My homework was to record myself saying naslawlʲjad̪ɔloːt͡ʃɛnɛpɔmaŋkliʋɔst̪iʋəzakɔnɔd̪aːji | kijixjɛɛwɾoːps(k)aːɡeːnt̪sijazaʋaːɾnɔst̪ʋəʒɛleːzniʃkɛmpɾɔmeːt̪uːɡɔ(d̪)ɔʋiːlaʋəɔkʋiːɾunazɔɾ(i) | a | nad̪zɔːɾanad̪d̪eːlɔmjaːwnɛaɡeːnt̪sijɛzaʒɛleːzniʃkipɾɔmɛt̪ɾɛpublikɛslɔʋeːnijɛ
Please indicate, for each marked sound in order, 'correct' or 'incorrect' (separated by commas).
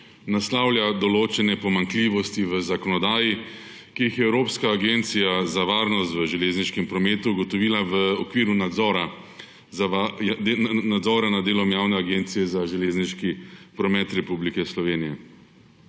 correct, incorrect, incorrect